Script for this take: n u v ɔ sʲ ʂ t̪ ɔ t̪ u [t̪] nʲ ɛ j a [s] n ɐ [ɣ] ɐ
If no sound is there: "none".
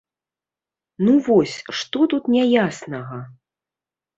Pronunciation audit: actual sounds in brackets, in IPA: t̪, s, ɣ

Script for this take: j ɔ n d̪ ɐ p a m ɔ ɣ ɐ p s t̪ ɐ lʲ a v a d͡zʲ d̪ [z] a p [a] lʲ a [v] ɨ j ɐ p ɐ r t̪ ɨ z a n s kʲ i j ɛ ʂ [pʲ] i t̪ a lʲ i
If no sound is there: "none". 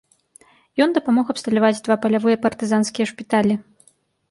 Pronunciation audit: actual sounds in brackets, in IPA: v, ɐ, v, pʲ

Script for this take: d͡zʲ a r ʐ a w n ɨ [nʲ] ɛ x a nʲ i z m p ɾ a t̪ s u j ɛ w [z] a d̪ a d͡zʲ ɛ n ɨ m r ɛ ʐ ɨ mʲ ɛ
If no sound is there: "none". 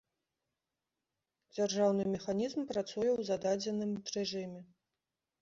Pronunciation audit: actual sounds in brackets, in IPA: mʲ, z

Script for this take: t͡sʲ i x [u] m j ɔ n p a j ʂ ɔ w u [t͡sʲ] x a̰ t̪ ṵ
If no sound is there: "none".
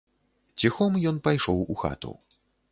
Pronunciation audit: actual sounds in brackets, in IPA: ɔ, none

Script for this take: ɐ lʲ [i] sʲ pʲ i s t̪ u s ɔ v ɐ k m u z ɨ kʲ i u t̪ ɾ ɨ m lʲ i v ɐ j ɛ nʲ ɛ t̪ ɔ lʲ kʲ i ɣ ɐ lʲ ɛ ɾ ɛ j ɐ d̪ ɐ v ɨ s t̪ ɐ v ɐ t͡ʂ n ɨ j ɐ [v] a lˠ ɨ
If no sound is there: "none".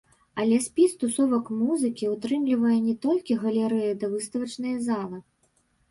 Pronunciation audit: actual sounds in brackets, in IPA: ɛ, z

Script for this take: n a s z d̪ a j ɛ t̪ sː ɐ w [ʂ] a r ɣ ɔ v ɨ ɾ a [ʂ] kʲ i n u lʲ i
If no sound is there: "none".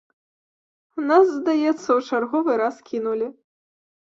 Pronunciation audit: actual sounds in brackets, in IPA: t͡ʂ, s

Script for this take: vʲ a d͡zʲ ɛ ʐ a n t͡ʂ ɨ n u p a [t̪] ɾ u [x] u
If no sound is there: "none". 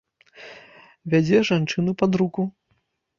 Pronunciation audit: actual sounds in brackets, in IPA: d̪, k

